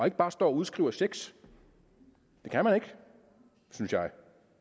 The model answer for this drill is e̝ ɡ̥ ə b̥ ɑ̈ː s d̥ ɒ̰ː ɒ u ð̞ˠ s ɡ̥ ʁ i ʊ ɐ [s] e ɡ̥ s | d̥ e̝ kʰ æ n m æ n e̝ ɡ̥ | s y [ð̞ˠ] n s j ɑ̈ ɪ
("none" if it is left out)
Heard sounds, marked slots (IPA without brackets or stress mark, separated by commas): s, none